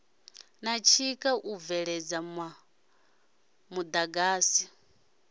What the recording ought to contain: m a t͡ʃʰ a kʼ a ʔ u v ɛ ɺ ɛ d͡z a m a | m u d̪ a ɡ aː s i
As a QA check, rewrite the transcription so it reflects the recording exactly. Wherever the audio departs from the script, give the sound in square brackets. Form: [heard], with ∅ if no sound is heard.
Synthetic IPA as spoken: [n] a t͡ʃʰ [i] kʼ a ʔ u v ɛ ɺ ɛ d͡z a m a | m u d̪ a ɡ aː s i